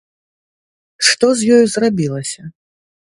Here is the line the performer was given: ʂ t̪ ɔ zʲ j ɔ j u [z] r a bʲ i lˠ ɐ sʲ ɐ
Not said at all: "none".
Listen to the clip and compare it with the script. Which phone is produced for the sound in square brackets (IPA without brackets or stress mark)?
z